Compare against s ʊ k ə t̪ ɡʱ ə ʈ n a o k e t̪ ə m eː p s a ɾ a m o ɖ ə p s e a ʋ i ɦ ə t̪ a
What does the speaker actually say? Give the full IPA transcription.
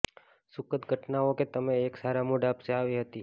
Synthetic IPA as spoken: s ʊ k ə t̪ ɡʱ ə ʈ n a o k e t̪ ə m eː k s a ɾ a m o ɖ a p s e a ʋ i ɦ ə t̪ i